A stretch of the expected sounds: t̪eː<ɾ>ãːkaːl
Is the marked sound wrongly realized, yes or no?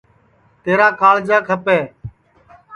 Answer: no